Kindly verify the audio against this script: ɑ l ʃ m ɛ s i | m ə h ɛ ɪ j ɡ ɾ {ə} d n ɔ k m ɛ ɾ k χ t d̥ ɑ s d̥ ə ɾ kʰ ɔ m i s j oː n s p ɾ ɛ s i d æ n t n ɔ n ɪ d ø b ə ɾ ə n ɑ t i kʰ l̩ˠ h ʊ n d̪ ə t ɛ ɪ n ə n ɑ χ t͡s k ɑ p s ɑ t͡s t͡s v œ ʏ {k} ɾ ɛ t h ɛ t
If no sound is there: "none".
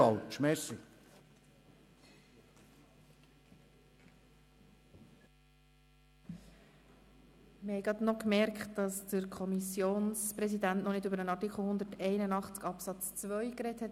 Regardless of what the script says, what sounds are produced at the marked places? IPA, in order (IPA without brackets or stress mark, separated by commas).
ɑ, k